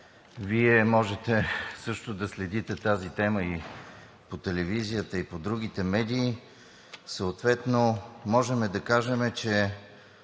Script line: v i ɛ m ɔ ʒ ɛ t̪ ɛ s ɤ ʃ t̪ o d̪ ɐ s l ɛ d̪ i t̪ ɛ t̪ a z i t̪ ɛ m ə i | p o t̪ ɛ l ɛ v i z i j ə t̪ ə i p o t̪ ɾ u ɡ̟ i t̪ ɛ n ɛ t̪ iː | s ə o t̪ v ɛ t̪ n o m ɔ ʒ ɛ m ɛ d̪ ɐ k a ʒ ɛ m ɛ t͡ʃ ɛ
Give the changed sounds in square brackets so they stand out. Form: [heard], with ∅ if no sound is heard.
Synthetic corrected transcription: v i ɛ m ɔ ʒ ɛ t̪ ɛ s ɤ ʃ t̪ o d̪ ɐ s l ɛ d̪ i t̪ ɛ t̪ a z i t̪ ɛ m ə i | p o t̪ ɛ l ɛ v i z i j ə t̪ ə i p o [d̪] ɾ u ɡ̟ i t̪ ɛ [m] ɛ [d̪] iː | s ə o t̪ v ɛ t̪ n o m ɔ ʒ ɛ m ɛ d̪ ɐ k a ʒ ɛ m ɛ t͡ʃ ɛ

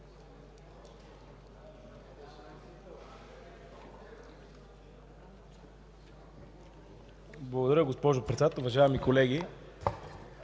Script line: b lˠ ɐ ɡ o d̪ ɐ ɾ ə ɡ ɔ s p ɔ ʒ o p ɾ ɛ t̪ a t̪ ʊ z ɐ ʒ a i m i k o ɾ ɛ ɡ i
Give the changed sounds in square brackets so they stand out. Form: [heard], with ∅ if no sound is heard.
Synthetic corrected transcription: b lˠ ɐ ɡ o d̪ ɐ ɾ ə ɡ [o] s p ɔ ʒ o p ɾ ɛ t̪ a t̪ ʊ [v] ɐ ʒ a [ɛ] m i k o [l] ɛ ɡ i

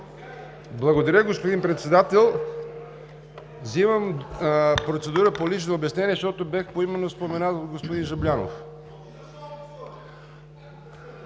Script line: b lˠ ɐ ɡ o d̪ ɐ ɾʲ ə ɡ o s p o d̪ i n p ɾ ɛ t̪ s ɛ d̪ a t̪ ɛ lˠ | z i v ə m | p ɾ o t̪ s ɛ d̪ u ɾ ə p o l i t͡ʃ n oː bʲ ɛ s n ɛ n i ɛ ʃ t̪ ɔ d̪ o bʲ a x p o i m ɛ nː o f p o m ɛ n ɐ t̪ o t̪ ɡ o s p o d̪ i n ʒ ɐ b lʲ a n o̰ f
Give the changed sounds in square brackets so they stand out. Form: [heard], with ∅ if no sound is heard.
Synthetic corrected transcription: b lˠ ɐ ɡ o d̪ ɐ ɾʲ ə ɡ o s p o d̪ i n p ɾ ɛ t̪ s ɛ d̪ a t̪ ɛ lˠ | z i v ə m | p ɾ o t̪ s ɛ d̪ u ɾ ə p o l i t͡ʃ n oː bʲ ɛ s n ɛ n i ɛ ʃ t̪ ɔ [t̪] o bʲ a x p o i m ɛ nː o [s] p o m ɛ n [a] t̪ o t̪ ɡ o s p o d̪ i n ʒ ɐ b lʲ a n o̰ f

